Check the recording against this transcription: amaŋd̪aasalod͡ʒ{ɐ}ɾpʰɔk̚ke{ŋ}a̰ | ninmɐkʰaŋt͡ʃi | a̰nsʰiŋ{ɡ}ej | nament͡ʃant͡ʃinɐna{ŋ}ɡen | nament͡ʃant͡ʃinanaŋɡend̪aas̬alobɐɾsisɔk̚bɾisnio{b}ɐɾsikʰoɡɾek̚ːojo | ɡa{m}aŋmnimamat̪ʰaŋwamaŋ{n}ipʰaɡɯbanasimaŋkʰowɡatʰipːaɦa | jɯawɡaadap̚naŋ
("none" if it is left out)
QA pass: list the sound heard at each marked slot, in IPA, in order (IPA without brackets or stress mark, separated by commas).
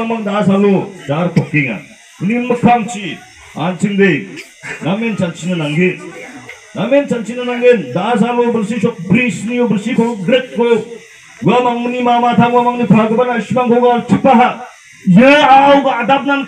a, ŋ, d, ŋ, b, m, n